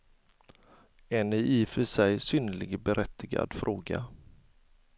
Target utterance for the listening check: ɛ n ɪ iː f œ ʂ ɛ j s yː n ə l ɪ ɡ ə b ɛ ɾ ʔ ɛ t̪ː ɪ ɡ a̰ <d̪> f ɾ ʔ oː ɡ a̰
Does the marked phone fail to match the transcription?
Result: no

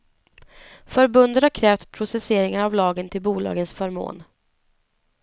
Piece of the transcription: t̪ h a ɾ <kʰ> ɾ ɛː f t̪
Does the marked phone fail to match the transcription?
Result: no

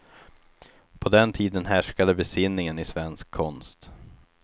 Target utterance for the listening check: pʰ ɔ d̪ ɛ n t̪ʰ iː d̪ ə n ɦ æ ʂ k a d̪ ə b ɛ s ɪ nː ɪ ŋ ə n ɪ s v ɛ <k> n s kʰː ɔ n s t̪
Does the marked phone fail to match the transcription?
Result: yes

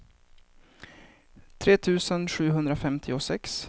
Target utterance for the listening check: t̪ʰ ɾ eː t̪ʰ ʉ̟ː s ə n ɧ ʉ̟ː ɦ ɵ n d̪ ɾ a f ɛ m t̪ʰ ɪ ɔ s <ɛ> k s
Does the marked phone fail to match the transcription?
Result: no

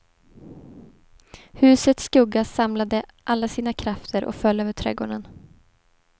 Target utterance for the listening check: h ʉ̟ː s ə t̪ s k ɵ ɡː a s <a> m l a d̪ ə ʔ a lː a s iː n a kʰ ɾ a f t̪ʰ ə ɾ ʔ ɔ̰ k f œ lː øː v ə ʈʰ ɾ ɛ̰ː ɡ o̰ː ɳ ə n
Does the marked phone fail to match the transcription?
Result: no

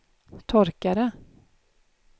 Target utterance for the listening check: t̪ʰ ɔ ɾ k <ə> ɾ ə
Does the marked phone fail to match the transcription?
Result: yes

